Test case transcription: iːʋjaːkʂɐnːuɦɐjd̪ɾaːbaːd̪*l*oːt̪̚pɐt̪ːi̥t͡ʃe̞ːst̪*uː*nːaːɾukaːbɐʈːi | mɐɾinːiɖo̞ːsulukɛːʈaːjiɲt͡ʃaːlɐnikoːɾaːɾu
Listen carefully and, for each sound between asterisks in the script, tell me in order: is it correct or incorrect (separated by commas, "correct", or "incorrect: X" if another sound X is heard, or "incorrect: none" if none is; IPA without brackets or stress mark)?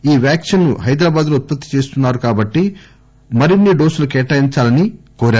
correct, incorrect: u